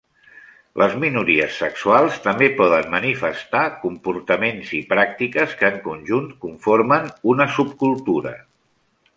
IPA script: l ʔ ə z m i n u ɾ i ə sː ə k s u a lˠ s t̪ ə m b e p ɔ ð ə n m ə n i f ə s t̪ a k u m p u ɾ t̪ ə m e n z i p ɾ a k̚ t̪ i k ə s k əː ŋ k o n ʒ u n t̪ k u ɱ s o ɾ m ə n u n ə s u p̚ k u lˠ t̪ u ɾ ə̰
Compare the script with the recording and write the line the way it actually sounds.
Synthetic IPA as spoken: l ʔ ə z m i n u ɾ i ə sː ə k s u a lˠ s t̪ ə m b e p ɔ ð ə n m ə n i f ə s t̪ a k u m p u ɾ t̪ ə m e n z i p ɾ a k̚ t̪ i k ə s k əː ŋ k u n ʒ u n t̪ k u ɱ f o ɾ m ə n u n ə s u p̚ k u lˠ t̪ u ɾ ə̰